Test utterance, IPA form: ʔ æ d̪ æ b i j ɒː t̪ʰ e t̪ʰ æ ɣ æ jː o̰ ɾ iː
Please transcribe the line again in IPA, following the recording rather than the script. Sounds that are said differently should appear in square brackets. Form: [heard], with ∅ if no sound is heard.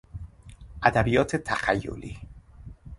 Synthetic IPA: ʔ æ d̪ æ b i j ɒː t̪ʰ e t̪ʰ æ [x] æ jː o̰ [l] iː